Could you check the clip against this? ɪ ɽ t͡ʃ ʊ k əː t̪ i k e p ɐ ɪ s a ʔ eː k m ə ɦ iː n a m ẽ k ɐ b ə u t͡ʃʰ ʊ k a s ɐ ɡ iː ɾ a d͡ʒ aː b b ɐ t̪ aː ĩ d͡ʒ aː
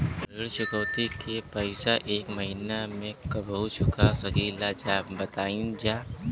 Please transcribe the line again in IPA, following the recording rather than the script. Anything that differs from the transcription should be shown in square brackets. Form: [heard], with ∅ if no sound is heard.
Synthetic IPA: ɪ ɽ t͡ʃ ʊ k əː t̪ i k e p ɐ ɪ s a ʔ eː k m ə ɦ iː n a m ẽ k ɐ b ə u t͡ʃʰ ʊ k a s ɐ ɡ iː [l] a d͡ʒ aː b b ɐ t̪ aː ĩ d͡ʒ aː